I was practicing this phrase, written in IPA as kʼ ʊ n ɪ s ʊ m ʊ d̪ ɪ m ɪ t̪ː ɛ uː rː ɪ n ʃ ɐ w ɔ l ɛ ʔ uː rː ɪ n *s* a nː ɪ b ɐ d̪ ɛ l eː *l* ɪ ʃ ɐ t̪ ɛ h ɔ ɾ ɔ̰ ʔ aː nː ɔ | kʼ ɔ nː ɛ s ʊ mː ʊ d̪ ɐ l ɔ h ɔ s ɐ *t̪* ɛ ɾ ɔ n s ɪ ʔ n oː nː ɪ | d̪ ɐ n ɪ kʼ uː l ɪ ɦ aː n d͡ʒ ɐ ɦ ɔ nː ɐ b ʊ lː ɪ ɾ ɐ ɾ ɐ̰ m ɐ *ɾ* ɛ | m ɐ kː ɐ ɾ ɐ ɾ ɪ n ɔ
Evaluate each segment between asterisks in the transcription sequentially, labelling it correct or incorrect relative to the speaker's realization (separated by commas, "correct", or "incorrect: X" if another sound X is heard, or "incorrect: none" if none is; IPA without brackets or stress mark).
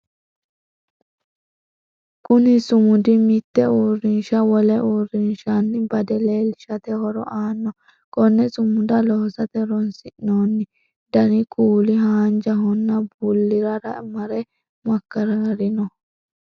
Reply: incorrect: ʃ, correct, correct, correct